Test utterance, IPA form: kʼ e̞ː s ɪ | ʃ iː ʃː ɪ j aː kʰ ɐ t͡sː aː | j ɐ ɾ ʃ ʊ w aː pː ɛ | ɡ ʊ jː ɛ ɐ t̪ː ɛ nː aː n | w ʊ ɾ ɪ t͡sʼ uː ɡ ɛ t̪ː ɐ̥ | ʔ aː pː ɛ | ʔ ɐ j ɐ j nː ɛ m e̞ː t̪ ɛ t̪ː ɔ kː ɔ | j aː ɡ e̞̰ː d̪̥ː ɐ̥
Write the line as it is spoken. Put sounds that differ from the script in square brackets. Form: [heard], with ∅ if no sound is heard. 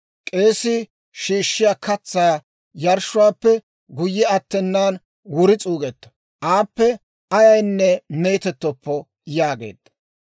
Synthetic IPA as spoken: kʼ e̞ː s ɪ | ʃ iː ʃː ɪ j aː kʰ ɐ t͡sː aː | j ɐ ɾ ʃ ʊ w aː pː ɛ | ɡ ʊ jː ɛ ɐ t̪ː ɛ nː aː n | w ʊ ɾ ɪ t͡sʼ uː ɡ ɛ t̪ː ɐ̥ | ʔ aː pː ɛ | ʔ ɐ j ɐ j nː ɛ m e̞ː t̪ ɛ t̪ː ɔ [pː] ɔ | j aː ɡ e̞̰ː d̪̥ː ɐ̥